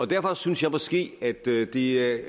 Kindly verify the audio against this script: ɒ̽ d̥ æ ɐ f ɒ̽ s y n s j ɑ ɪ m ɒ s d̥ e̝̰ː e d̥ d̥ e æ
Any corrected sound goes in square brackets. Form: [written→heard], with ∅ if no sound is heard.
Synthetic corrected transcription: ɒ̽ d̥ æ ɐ f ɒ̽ s y n s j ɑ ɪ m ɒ s [d̥→ɡ̥] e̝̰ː [e→æ] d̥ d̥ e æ